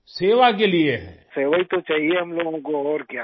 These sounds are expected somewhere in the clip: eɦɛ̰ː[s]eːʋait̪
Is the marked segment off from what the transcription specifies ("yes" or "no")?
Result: no